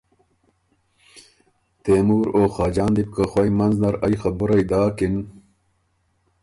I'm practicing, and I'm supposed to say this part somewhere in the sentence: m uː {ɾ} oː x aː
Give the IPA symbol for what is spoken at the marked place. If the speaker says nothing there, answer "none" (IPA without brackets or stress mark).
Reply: ɾ